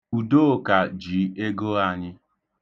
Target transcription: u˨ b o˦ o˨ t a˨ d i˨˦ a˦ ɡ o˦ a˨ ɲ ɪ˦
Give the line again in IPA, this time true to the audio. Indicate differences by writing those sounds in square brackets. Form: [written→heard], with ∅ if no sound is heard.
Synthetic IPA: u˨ [b→d] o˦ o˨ [t→k] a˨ [d→d͡ʒ] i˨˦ [a˦→e˦] ɡ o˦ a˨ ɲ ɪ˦